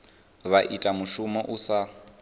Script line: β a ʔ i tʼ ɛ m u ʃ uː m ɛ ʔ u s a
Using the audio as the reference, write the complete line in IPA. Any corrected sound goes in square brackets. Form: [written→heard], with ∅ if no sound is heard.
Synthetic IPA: β a ʔ i tʼ [ɛ→a] m u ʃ [uː→u] m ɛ ʔ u s a

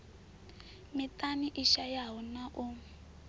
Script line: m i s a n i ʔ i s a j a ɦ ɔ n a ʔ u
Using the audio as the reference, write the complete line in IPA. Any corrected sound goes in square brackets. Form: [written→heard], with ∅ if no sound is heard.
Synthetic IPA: m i [s→t] a n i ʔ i [s→ʃ] a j a ɦ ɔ n a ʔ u

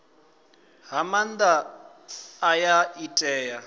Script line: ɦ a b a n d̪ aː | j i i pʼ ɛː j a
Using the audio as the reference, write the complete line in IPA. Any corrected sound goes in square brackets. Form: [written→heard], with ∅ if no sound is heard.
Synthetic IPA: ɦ a [b→m] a n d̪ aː | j [i→a] i [pʼ→tʼ] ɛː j a

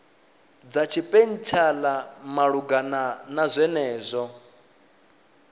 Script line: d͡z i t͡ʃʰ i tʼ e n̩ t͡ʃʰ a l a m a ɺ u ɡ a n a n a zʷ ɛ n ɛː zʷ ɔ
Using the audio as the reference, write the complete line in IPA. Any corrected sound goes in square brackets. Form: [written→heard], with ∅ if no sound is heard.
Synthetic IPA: d͡z [i→a] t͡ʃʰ i [tʼ→pʼ] e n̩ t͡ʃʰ a l a m a ɺ u ɡ a n a n a zʷ ɛ n ɛː zʷ ɔ

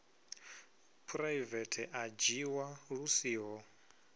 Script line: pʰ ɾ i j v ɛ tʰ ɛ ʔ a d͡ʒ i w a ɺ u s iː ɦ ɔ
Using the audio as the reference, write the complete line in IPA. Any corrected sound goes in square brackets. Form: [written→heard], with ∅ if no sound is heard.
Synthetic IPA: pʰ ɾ [i→a] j v ɛ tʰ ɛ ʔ a d͡ʒ i w a ɺ u s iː ɦ ɔ

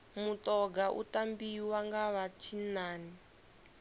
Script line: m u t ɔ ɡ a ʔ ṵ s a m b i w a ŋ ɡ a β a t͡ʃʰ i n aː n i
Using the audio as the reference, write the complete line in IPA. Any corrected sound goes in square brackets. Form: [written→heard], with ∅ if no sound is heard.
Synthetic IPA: m u t ɔ ɡ a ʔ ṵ [s→t] a m b i w a ŋ ɡ a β a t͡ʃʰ i n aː n i

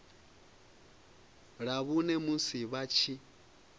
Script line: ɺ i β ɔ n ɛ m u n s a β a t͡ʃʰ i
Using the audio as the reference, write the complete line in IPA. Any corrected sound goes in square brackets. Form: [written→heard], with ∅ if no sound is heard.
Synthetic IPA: ɺ [i→a] β [ɔ→u] n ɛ m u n s [a→i] β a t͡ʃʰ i

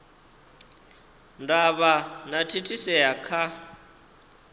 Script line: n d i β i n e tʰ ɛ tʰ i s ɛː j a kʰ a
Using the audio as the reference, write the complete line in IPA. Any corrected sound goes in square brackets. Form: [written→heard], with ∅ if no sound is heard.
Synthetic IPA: n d [i→a] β [i→a] n [e→a] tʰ [ɛ→i] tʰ i s [ɛː→ɛ] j a kʰ a

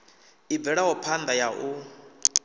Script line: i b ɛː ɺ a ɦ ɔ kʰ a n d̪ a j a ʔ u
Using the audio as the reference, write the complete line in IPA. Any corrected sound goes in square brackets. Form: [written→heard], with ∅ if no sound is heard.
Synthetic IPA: i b [ɛː→ɛ] ɺ a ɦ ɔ [kʰ→pʰ] a n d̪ a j a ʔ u

